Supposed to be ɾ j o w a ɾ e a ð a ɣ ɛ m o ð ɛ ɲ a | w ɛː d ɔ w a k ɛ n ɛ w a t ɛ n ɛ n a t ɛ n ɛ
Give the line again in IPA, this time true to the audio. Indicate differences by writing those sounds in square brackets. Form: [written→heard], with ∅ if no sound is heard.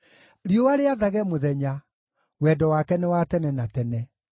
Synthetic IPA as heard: ɾ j o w a ɾ e a ð a ɣ ɛ m o ð ɛ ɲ a | w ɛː d ɔ w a k ɛ n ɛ w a t ɛ n ɛ n a t ɛ n ɛ